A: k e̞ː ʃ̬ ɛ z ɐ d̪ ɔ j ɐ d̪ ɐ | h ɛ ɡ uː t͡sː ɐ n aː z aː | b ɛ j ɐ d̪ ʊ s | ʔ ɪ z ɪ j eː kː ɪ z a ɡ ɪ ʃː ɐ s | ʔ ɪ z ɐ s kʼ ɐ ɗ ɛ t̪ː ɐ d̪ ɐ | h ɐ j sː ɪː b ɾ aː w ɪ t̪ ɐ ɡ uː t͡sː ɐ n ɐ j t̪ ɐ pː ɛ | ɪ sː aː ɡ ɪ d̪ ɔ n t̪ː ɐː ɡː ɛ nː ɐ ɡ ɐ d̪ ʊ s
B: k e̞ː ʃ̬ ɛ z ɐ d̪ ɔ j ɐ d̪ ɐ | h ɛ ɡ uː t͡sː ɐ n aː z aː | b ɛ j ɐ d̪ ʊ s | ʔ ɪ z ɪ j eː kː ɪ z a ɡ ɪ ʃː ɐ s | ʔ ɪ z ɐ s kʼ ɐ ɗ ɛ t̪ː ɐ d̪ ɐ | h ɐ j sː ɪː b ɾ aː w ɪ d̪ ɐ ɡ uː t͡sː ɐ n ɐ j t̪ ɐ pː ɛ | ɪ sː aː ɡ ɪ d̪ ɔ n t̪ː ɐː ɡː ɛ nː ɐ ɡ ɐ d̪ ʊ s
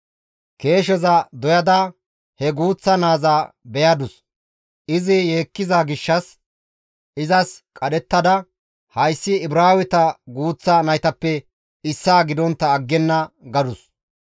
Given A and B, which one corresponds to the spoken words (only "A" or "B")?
A